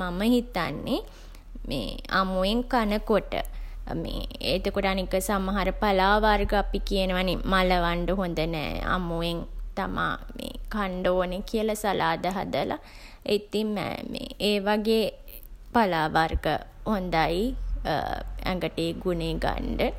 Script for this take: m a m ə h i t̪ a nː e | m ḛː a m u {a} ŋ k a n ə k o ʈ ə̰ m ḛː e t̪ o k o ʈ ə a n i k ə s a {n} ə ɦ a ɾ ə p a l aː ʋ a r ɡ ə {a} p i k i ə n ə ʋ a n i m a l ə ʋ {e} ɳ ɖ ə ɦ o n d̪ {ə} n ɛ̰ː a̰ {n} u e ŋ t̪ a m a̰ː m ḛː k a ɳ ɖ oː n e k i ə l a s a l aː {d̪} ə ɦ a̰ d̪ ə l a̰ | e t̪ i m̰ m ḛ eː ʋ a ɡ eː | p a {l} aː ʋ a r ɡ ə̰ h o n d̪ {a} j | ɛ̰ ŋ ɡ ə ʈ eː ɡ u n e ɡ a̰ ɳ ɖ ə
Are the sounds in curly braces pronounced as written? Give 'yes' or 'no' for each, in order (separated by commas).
no, no, yes, no, yes, no, yes, yes, yes